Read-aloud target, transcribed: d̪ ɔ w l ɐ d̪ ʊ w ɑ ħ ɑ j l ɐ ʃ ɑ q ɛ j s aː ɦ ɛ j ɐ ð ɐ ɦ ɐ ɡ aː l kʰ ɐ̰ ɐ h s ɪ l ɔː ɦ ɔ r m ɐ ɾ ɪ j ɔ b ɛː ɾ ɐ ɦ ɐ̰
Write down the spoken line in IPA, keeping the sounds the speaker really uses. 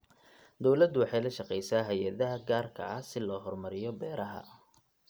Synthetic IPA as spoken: d̪ ɔ w l ɐ d̪ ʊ w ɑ ħ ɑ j l ɐ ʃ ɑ q ɛ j s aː ɦ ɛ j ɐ ð ɐ ɦ ɐ ɡ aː r kʰ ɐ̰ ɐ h s ɪ l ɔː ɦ ɔ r m ɐ ɾ ɪ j ɔ b ɛː ɾ ɐ ɦ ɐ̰